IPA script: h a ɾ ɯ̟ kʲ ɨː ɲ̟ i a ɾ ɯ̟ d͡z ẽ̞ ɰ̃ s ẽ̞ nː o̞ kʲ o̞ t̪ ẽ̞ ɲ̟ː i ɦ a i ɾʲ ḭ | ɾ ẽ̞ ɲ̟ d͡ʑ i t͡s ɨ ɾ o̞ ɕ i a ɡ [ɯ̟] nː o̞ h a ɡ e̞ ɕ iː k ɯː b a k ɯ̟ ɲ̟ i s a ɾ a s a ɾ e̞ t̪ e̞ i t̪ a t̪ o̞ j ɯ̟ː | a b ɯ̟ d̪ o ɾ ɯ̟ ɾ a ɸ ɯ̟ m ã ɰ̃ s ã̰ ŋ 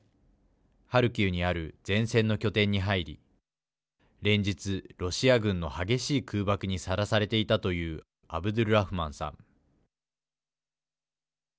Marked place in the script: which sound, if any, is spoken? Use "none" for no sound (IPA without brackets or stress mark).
ɯ̟̃